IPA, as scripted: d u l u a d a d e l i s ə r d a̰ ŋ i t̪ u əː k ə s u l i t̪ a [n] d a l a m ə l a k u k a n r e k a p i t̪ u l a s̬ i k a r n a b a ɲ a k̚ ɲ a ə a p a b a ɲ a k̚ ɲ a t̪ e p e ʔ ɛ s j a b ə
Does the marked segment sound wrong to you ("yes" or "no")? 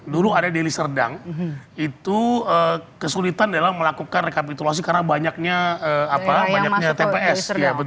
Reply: no